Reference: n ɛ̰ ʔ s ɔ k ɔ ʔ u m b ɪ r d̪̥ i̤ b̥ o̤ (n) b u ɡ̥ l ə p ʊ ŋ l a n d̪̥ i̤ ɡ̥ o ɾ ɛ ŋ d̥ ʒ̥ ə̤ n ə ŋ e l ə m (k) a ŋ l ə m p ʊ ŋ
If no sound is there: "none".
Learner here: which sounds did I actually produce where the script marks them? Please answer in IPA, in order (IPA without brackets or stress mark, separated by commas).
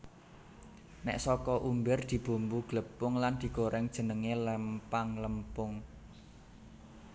m, p